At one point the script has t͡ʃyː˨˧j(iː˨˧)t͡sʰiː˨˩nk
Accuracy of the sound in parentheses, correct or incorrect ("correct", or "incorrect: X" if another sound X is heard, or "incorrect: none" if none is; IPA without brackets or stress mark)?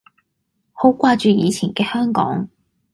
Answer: correct